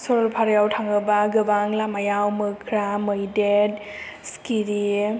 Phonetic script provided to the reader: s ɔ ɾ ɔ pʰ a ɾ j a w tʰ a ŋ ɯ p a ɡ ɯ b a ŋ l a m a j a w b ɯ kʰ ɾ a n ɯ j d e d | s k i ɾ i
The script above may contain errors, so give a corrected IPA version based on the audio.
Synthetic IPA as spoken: s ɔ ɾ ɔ pʰ a ɾ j a w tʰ a ŋ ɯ b a ɡ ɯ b a ŋ l a m a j a w m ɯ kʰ ɾ a m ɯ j d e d | s k i ɾ i

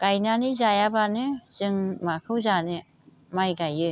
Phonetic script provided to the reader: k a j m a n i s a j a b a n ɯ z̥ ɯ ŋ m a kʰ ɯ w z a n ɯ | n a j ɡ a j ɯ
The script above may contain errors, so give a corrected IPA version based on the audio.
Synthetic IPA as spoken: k a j n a n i z a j a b a n ɯ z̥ ɯ ŋ m a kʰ ɯ w z a n ɯ | m a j ɡ a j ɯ

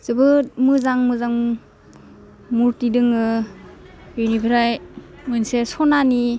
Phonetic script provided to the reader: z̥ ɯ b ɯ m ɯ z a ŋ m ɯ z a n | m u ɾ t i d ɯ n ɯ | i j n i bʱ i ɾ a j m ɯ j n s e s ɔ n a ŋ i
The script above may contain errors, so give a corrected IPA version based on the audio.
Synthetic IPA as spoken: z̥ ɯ b ɯ m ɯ z a ŋ m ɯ z a ŋ | m u ɾ t i d ɯ ŋ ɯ | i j n i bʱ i ɾ a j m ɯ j n s e s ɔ n a n i

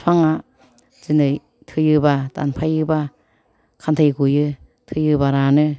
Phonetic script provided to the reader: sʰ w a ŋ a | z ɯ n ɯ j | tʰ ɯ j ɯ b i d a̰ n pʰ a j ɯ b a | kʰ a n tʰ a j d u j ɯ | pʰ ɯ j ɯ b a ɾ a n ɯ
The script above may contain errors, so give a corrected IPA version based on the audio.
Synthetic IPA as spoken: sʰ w a ŋ a | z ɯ n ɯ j | tʰ ɯ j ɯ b a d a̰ n pʰ a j ɯ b a | kʰ a n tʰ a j ɡ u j ɯ | tʰ ɯ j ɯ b a ɾ a n ɯ

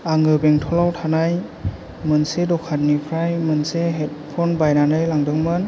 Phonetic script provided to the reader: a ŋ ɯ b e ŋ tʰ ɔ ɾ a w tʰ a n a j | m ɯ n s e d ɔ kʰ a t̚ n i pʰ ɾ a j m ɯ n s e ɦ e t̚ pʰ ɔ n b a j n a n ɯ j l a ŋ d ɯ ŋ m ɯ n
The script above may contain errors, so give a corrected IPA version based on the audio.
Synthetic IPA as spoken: a ŋ ɯ b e ŋ tʰ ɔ l a w tʰ a n a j | m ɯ n s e d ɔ kʰ a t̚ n i pʰ ɾ a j m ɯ n s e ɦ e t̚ pʰ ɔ n b a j n a n ɯ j l a ŋ d ɯ ŋ m ɯ n

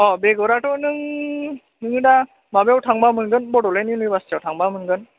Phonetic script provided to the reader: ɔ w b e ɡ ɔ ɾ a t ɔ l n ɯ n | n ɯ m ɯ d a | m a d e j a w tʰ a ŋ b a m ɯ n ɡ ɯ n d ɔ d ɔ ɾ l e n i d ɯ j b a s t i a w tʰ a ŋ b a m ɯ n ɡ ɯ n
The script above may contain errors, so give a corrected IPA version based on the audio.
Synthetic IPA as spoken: ɔ b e ɡ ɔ ɾ a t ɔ n ɯ ŋ | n ɯ ŋ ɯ d a | m a b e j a w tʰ a ŋ b a m ɯ n ɡ ɯ n b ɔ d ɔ l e n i n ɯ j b a s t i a w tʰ a ŋ b a m ɯ n ɡ ɯ n

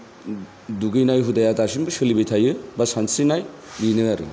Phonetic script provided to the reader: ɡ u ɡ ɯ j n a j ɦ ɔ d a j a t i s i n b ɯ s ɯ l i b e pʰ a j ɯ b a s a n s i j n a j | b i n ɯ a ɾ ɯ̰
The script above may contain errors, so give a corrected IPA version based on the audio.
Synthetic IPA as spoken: d u ɡ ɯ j n a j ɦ u d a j a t a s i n b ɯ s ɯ l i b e tʰ a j ɯ b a s a n s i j n a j | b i n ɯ a ɾ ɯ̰

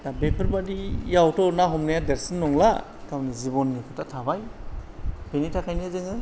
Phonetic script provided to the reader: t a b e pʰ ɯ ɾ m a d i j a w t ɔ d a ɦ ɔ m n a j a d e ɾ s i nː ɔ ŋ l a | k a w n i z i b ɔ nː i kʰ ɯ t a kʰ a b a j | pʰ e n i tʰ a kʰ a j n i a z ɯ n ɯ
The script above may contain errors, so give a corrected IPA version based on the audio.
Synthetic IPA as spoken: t a b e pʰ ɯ ɾ b a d i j a w t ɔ n a ɦ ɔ m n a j a d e ɾ s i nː ɔ ŋ l a | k a w n i z i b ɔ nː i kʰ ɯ t a tʰ a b a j | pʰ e n i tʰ a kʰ a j n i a z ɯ ŋ ɯ

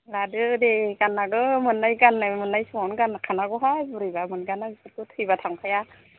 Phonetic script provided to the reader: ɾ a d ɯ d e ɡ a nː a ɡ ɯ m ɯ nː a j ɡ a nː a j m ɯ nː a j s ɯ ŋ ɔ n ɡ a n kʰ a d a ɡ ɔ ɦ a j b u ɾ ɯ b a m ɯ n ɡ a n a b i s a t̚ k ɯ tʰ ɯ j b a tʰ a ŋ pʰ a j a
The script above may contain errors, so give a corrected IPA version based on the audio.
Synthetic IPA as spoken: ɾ a d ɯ d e ɡ a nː a ɡ ɯ m ɯ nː a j ɡ a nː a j m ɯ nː a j s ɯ ŋ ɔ n ɡ a n kʰ a n a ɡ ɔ ɦ a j b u ɾ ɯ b a m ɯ n ɡ a n a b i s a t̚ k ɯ tʰ ɯ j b a tʰ a ŋ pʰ a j a

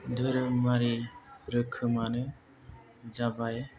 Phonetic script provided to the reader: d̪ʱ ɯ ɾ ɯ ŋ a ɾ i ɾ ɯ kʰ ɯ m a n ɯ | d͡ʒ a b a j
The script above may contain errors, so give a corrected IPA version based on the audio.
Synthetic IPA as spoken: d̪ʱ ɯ ɾ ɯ m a ɾ i ɾ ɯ kʰ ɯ m a n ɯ | d͡ʒ a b a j

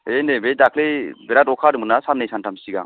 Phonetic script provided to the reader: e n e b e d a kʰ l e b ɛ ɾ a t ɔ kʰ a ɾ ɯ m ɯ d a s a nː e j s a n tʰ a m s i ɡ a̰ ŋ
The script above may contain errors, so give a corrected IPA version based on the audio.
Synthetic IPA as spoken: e n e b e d a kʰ l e b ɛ ɾ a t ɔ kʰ a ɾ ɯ m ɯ n a s a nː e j s a n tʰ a m s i ɡ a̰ ŋ

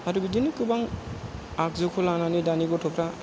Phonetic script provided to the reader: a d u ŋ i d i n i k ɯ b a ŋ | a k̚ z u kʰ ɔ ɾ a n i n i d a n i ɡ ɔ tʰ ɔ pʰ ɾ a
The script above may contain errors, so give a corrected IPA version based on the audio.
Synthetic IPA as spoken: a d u ɡ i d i n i k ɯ b a ŋ | a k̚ z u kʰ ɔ l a n a n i d a n i ɡ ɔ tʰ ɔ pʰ ɾ a

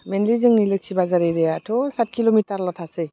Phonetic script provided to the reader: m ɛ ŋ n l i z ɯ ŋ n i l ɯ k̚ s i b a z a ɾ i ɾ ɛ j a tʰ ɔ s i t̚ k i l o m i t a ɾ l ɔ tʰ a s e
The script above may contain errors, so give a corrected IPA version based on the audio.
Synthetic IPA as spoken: m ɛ n l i z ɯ ŋ n i l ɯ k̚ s i b a z a ɾ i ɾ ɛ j a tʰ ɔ s a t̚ k i l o m i t a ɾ l ɔ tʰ a s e

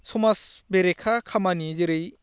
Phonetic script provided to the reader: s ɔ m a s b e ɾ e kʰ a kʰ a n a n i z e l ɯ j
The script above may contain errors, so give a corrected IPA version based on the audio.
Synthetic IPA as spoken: s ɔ m a s b e ɾ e kʰ a kʰ a m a n i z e ɾ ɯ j

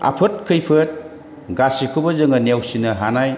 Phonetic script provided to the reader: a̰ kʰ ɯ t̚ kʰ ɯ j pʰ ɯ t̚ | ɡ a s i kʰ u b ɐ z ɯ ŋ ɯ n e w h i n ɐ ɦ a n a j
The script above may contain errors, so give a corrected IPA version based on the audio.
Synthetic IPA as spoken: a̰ pʰ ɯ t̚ kʰ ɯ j pʰ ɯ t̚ | ɡ a s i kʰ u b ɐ z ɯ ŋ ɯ n e w s i n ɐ ɦ a n a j

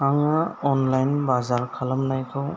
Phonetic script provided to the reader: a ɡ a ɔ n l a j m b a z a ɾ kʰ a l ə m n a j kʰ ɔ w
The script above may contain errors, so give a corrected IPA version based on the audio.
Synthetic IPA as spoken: a ŋ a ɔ n l a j n b a z a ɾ kʰ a l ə m n a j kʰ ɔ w

